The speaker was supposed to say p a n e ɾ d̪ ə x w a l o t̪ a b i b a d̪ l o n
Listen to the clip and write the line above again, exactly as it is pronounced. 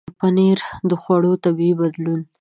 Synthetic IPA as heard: p a n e ɾ d̪ ə x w a ɽ o t̪ a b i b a d̪ l u n